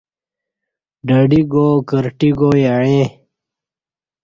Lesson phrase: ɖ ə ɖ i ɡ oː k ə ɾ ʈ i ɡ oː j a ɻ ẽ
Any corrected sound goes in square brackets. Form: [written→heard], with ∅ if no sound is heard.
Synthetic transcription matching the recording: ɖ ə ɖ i ɡ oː k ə ɾ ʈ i ɡ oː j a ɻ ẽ